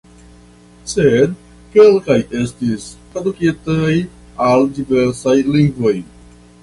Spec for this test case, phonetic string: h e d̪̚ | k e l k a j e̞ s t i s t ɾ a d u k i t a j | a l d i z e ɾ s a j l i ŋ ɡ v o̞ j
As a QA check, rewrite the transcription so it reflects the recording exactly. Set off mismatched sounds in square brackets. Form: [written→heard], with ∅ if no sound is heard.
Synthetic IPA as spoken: [h→s] e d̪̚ | k e l k a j e̞ s t i s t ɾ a d u k i t a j | a l d i [z→v] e ɾ s a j l i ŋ ɡ v o̞ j